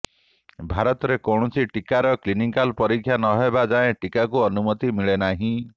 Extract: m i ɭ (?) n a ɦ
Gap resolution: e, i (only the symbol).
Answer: e